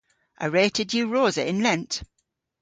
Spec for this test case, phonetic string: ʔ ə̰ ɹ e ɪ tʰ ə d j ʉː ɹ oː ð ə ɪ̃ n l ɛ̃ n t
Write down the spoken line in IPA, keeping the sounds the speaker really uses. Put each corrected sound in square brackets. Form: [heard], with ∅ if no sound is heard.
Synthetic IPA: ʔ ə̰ ɹ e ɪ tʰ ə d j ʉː ɹ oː [z] ə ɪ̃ n l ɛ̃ n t